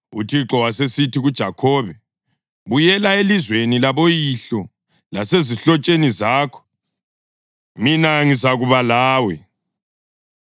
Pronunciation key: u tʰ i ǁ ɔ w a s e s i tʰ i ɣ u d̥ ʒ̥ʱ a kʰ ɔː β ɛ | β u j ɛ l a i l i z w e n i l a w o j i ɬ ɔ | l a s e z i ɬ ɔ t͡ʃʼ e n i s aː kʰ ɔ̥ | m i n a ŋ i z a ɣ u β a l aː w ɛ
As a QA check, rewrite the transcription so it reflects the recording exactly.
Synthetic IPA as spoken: u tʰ i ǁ ɔ w a s e s i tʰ i ɣ u d̥ ʒ̥ʱ a kʰ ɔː β ɛ | β u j ɛ l a e l i z w e n i l a β o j i ɬ ɔ | l a s e z i ɬ ɔ t͡ʃʼ e n i z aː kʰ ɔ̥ | m i n a ŋ i z a ɣ u β a l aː w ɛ